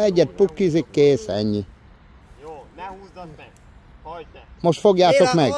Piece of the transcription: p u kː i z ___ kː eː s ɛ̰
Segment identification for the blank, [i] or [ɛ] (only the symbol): i